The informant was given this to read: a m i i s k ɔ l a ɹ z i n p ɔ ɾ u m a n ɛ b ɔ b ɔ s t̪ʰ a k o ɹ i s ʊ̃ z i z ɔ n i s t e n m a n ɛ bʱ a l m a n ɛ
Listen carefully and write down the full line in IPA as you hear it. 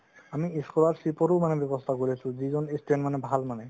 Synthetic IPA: a m i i s k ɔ l a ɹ s i p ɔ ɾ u m a n ɛ b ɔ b ɔ s t̪ʰ a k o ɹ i s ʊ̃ z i z ɔ n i s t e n m a n ɛ bʱ a l m a n ɛ